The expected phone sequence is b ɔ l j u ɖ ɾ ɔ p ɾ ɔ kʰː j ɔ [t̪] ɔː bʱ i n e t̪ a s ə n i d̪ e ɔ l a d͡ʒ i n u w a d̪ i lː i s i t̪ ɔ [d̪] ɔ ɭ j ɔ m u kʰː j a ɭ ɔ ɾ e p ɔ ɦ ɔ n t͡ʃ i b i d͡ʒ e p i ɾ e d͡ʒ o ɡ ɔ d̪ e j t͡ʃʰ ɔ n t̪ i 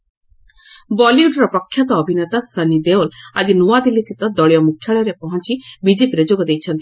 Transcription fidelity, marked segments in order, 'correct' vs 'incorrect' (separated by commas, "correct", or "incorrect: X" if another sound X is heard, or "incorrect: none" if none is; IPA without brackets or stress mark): correct, correct